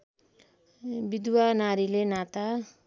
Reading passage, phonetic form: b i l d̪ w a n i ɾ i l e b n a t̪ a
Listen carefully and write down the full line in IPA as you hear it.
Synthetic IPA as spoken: b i d̪ w a n a ɾ i l e n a t̪ a